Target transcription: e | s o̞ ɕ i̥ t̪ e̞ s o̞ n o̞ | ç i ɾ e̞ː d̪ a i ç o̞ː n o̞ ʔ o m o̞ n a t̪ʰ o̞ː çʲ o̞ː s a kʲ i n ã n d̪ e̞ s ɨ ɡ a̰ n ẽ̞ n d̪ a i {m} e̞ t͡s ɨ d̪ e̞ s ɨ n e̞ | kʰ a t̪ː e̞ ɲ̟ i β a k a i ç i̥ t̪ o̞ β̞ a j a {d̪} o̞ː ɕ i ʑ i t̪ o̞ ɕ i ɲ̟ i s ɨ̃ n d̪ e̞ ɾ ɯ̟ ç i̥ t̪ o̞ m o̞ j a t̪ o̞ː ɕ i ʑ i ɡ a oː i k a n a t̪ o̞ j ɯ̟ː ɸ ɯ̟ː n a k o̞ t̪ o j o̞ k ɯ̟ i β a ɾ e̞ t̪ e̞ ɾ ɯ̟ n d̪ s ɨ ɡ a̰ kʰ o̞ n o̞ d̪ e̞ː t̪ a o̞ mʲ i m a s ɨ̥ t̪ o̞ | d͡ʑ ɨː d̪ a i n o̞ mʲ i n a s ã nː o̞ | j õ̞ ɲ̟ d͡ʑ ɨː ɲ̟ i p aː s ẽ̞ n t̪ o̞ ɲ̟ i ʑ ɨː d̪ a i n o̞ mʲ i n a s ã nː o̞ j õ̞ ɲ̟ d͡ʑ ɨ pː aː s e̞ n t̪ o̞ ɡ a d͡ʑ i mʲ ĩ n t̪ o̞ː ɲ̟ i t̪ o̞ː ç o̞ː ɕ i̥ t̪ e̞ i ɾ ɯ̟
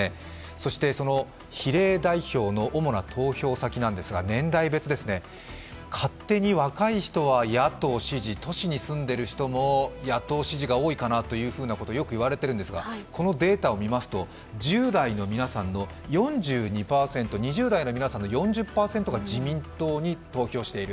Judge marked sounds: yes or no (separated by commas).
no, no